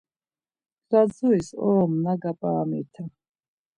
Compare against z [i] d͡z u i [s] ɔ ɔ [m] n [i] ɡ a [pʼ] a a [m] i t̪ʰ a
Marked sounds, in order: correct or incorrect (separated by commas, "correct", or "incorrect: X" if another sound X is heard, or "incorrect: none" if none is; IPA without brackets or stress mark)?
incorrect: a, correct, correct, incorrect: a, correct, correct